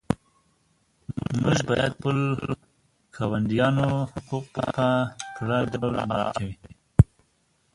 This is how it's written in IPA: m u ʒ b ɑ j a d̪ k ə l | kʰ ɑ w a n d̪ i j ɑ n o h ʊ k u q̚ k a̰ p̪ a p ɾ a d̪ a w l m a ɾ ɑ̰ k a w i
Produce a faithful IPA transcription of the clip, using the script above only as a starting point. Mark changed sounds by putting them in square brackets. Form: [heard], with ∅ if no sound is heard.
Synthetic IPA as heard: m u ʒ b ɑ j a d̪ [p] ə l | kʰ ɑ w a n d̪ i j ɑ n o h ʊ [q] u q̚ [p] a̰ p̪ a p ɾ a d̪ a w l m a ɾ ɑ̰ k a w i